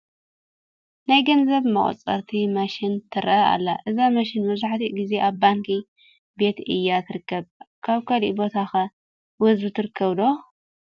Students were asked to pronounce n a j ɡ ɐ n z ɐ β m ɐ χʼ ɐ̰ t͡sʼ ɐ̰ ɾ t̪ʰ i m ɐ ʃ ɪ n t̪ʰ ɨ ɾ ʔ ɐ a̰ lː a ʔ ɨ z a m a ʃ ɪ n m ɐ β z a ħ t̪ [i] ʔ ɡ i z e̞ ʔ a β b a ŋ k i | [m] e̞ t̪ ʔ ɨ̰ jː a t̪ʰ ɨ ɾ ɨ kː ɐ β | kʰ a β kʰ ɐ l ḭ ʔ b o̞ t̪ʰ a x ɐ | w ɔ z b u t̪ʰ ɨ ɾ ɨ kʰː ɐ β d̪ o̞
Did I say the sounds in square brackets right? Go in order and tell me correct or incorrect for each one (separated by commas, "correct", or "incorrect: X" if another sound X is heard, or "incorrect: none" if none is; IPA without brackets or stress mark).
correct, incorrect: b